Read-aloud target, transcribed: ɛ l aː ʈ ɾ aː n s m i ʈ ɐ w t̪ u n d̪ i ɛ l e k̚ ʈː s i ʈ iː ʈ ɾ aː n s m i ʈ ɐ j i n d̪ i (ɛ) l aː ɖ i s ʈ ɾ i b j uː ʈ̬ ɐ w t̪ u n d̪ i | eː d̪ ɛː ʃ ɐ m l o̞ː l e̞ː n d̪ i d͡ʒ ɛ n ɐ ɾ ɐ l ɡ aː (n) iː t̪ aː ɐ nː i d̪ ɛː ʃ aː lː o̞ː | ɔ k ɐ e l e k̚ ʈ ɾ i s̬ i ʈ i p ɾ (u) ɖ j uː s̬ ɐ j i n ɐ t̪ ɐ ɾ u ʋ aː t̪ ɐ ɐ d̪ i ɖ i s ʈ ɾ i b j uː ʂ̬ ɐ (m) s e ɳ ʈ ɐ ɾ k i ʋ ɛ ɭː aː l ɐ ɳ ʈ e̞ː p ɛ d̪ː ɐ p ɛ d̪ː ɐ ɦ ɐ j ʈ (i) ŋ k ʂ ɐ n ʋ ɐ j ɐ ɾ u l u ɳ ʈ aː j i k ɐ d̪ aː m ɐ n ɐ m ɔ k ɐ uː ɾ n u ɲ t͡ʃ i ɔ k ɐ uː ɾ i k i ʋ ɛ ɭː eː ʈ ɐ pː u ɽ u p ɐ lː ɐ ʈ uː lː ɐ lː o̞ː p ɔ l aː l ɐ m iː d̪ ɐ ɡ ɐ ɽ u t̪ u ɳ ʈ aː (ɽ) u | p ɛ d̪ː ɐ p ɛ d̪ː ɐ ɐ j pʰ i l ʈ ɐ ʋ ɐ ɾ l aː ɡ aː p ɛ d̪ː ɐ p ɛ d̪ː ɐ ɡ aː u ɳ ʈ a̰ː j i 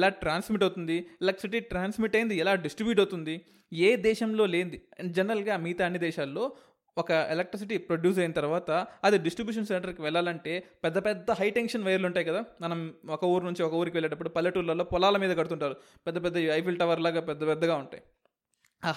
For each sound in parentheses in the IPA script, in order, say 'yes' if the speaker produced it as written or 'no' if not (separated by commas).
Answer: yes, no, no, no, no, no